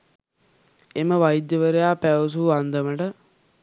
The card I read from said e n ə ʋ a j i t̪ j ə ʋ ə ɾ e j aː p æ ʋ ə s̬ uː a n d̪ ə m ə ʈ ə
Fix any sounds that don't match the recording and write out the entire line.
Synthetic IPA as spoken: e m ə ʋ a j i d̪ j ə ʋ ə ɾ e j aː p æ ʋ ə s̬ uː a n d̪ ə m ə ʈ ə